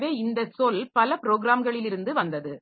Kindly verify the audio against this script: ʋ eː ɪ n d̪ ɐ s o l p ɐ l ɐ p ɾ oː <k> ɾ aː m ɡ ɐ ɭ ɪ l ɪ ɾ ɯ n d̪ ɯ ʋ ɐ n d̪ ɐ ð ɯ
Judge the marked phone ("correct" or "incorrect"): incorrect